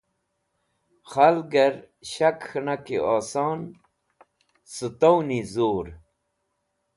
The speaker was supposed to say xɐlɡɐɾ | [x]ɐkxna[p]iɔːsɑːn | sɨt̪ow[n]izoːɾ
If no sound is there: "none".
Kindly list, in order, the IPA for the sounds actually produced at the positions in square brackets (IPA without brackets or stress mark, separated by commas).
ɕ, k, n